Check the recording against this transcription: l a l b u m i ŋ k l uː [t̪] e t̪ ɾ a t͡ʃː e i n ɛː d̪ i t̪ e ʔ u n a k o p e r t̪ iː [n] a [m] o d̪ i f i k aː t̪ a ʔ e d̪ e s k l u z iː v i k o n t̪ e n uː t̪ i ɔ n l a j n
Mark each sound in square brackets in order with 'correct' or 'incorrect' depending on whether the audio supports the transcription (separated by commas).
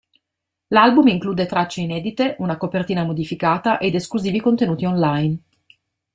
incorrect, correct, correct